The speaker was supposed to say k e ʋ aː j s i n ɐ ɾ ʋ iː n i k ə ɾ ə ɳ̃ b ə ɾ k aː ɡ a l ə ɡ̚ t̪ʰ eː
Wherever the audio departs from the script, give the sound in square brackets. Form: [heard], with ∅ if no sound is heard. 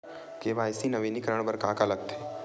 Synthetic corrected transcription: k e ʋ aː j s i n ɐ [∅] ʋ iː n i k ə ɾ ə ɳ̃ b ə ɾ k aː [k] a l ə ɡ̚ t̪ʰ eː